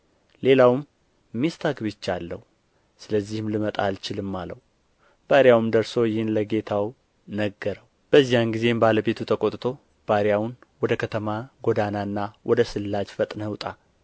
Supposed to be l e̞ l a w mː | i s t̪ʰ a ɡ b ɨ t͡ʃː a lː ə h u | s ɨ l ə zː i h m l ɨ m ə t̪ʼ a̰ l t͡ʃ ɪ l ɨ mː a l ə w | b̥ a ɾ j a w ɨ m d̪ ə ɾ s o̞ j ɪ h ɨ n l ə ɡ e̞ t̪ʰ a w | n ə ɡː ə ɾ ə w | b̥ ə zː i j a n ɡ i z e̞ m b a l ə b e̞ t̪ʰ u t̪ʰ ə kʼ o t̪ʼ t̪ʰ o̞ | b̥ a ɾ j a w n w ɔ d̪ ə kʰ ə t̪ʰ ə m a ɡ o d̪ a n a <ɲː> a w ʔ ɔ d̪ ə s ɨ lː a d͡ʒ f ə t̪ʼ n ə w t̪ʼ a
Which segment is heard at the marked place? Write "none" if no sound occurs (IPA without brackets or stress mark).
nː